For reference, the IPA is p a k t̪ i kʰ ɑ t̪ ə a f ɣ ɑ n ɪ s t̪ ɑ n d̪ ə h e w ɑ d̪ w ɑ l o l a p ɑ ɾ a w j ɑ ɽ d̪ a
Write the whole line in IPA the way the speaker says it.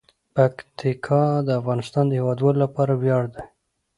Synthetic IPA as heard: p a k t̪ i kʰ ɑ d̪ ə a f ɣ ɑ n ɪ s t̪ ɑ n d̪ ə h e w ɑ d̪ w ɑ l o l a p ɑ ɾ a w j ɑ ɽ d̪ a

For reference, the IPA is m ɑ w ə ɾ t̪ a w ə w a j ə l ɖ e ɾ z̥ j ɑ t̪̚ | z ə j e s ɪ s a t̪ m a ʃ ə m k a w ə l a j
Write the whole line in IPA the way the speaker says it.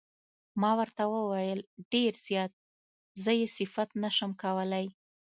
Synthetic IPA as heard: m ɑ w ə ɾ t̪ a w ə w a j ə l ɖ e ɾ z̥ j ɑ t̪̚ | z ə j e s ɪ f a t̪ n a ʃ ə m k a w ə l a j

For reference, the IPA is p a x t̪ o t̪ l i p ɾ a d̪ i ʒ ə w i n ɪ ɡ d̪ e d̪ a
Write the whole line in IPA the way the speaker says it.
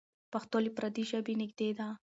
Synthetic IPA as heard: p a x t̪ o l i p ɾ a d̪ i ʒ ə b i n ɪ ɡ d̪ e d̪ a

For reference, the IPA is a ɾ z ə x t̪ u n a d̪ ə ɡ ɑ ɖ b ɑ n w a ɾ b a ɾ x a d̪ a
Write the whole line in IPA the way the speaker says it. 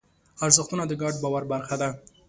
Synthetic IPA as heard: a ɾ z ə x t̪ u n a d̪ ə ɡ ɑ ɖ b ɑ w a ɾ b a ɾ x a d̪ a

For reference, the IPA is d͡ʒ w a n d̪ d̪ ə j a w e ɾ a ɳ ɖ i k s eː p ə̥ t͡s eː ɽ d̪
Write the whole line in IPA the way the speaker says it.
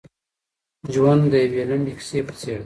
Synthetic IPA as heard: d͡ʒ w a n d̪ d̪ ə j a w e l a ɳ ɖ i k s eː p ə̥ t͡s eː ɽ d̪

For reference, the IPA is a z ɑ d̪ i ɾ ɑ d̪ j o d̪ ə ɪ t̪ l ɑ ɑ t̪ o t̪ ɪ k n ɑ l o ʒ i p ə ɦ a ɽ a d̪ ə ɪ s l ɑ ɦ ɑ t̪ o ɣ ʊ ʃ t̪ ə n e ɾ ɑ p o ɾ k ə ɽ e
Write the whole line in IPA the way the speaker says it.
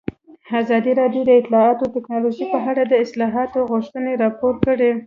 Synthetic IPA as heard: a z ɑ d̪ i ɾ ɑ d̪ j o d̪ ə ɪ t̪ l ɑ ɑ t̪ o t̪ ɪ k n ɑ l o ʒ i p ə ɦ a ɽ a d̪ ə ɪ s l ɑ ɦ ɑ t̪ o ɣ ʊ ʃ t̪ ə n e ɾ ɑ p o ɾ k ə ɽ e

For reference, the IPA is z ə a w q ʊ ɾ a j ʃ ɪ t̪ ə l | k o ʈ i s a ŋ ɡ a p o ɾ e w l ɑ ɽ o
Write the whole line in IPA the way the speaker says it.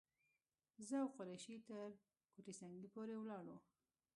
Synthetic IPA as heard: z ə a w q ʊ ɾ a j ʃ i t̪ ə ɾ | k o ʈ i s a ŋ ɡ i p o ɾ e w l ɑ ɽ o

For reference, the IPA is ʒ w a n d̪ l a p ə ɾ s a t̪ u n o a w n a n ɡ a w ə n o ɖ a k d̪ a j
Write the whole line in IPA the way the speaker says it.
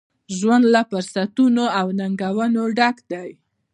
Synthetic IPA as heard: ʒ w a n d̪ l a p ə ɾ s a t̪ u n o a w n a ŋ ɡ a w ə n o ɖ a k d̪ a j

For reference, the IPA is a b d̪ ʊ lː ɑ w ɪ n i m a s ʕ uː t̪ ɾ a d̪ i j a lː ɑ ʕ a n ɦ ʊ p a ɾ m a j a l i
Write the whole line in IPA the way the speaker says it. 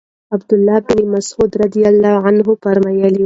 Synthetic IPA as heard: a b d̪ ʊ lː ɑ b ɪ n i m a s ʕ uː d̪ ɾ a d̪ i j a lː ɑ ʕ a n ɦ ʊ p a ɾ m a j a l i

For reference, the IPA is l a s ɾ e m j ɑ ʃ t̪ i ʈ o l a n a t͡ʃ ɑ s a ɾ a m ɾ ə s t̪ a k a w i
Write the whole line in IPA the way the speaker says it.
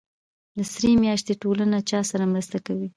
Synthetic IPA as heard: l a s ɾ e m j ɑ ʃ t̪ e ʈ o l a n a t͡ʃ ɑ s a ɾ a m ɾ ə s t̪ a k a w i

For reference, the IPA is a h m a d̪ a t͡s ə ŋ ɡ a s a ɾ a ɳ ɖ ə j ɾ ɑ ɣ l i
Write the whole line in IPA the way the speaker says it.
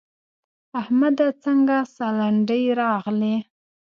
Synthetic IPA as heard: a h m a d̪ a t͡s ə ŋ ɡ a s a l a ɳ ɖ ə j ɾ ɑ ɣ l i

